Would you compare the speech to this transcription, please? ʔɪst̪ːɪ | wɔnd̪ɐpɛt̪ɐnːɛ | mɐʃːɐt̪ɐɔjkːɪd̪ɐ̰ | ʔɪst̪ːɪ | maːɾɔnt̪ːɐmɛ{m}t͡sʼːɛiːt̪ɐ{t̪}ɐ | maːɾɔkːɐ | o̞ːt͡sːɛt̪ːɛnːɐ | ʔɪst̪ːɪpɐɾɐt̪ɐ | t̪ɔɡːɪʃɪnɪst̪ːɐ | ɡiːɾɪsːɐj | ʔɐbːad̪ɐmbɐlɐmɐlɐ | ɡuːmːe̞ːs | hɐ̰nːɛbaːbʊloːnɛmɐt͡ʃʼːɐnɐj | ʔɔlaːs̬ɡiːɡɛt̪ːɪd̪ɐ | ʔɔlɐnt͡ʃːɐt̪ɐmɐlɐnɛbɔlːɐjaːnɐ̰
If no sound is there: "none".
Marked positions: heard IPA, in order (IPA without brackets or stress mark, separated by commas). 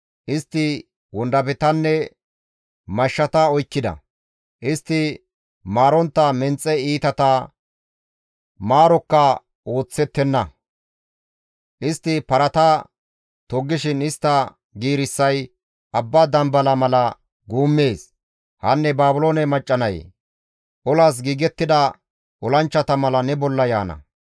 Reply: n, t̪